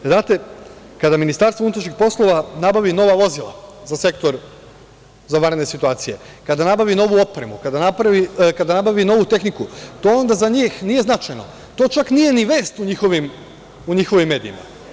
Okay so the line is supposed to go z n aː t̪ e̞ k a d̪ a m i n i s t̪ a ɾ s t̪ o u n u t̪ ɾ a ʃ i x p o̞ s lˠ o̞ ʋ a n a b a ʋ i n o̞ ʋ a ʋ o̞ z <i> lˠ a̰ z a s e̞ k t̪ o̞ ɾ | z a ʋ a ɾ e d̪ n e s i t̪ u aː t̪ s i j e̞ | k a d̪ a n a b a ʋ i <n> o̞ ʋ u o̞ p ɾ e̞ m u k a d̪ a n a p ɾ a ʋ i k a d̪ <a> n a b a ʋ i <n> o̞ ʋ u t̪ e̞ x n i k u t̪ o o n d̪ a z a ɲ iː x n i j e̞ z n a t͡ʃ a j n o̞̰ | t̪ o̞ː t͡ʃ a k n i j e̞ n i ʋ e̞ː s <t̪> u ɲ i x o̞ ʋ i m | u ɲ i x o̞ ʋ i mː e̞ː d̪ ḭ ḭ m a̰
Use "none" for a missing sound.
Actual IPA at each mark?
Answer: i, n, a, n, t̪

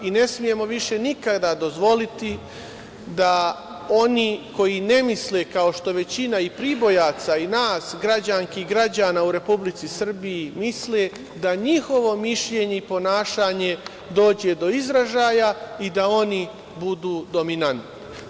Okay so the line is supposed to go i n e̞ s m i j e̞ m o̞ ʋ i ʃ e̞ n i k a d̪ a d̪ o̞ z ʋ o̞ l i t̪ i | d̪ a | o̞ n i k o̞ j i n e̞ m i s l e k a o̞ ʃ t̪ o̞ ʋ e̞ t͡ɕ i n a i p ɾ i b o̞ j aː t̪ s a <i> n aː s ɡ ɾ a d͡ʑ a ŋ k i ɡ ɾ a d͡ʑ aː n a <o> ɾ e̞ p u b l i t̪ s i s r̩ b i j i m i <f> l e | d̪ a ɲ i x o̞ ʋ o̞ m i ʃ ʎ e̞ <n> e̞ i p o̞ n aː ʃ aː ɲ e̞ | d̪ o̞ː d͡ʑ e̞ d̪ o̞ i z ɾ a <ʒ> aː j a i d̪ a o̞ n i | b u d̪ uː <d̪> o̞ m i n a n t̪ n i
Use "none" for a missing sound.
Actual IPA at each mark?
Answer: i, u, s, ɲ, ʒ, d̪

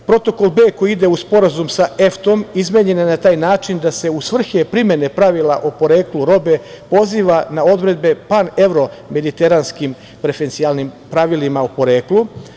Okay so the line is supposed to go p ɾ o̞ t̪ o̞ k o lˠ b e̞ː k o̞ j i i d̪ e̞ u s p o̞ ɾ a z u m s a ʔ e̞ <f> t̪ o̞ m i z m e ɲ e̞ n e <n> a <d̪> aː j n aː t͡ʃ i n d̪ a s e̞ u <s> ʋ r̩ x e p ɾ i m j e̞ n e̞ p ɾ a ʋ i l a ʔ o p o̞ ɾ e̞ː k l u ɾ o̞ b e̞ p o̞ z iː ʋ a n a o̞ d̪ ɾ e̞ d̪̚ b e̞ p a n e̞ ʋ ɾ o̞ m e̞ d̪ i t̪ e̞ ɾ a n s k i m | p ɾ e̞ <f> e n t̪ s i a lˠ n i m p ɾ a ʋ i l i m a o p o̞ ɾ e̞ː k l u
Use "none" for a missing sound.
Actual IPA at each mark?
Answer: f, n, t̪, s, f

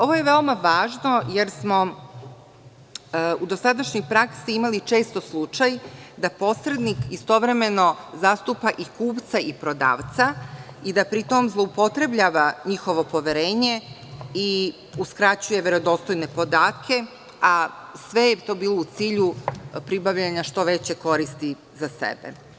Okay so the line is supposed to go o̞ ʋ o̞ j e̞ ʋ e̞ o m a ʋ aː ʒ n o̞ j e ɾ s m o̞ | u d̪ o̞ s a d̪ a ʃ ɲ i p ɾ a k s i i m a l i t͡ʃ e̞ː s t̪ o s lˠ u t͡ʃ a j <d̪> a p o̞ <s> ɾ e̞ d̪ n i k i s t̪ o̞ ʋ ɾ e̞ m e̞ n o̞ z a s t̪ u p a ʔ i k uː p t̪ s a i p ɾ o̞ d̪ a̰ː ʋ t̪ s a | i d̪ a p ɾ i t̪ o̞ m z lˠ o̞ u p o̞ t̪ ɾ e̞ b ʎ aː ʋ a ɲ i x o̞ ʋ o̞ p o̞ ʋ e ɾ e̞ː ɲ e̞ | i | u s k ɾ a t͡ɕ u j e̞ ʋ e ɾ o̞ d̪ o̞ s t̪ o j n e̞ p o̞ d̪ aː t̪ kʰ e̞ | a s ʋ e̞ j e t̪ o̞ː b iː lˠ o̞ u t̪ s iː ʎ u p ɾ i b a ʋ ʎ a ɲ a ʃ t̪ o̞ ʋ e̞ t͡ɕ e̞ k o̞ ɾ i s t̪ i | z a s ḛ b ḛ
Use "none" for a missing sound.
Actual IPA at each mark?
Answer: d̪, s

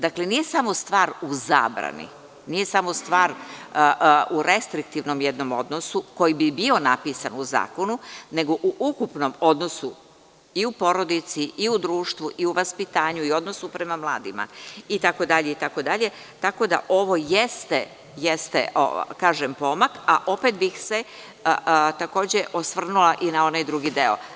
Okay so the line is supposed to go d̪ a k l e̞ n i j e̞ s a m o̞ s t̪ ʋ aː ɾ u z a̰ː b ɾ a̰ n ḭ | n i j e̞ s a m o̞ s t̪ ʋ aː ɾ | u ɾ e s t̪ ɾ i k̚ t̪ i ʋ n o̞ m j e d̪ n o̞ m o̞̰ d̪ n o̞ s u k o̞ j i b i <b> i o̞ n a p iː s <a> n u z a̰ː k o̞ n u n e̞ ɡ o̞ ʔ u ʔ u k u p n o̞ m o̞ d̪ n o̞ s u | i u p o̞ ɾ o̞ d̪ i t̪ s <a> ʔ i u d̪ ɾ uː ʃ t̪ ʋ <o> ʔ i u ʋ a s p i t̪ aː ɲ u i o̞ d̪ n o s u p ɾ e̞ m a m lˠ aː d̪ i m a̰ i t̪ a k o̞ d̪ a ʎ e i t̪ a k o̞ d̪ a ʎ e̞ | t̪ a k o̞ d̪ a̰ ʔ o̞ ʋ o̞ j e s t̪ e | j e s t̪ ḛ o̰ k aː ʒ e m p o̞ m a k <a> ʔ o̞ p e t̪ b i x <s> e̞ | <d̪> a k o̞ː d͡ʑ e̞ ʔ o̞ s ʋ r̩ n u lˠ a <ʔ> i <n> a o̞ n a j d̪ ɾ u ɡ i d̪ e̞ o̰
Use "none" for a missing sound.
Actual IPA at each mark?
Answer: b, a, i, u, a, s, t̪, ʔ, n

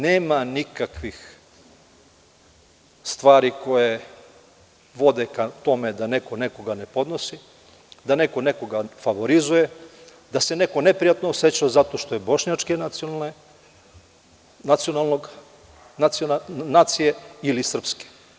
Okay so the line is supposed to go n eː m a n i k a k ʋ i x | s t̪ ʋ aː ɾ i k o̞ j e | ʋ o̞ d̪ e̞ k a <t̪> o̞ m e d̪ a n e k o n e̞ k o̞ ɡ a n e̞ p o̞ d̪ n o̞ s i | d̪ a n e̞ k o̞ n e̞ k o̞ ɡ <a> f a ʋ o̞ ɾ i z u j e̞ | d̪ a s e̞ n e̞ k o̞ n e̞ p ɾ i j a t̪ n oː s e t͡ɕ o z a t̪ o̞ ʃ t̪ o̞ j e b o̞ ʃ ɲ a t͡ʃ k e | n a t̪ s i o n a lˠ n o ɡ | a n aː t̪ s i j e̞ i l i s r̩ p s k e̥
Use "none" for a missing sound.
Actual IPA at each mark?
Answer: t̪, a

